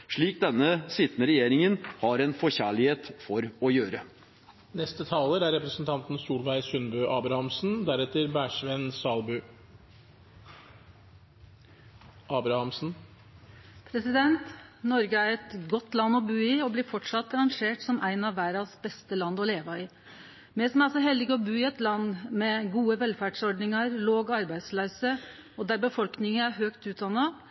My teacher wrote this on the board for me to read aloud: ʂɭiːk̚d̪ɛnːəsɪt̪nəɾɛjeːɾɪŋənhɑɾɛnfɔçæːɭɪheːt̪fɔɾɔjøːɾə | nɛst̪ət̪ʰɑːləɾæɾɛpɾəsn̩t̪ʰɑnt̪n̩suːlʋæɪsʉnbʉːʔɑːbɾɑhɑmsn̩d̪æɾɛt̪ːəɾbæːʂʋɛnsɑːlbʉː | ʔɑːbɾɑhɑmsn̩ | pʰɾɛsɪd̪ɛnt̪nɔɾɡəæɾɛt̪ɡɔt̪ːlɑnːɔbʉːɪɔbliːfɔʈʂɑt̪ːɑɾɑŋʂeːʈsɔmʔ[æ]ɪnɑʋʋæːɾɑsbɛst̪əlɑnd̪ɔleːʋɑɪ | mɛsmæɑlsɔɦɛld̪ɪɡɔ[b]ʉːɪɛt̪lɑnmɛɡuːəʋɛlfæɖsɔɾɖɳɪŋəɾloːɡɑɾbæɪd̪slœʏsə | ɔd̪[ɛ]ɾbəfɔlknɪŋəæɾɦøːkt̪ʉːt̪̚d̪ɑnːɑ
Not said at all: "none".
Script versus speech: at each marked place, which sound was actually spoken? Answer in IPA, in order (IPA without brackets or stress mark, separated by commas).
æ, b, æ